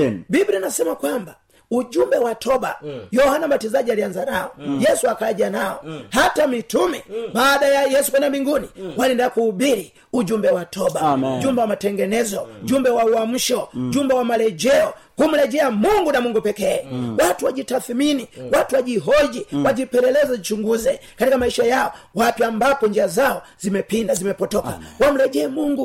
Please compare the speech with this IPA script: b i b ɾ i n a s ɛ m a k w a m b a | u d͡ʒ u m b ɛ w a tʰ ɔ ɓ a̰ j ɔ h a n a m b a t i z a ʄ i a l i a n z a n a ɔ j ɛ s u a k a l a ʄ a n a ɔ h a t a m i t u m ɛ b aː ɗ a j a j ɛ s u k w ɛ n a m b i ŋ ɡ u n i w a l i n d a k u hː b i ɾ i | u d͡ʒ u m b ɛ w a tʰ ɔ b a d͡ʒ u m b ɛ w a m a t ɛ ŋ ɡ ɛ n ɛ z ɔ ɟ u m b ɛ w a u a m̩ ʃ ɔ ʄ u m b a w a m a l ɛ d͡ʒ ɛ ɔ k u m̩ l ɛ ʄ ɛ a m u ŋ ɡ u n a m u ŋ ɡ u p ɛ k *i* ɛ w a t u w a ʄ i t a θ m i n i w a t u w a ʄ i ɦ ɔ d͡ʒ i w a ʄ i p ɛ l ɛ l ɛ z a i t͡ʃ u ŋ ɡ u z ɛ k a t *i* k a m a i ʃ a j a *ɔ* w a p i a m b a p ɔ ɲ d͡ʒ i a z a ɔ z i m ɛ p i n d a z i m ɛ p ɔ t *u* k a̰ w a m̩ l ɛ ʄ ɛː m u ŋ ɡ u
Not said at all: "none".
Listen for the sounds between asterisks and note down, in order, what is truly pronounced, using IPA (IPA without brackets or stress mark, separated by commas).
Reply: ɛ, i, ɔ, ɔ